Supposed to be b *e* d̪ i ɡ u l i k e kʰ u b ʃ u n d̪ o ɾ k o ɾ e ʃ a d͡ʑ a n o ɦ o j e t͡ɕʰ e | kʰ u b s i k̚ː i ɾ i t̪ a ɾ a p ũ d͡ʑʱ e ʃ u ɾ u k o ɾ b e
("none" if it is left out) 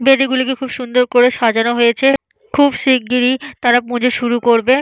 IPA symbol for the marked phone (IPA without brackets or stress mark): e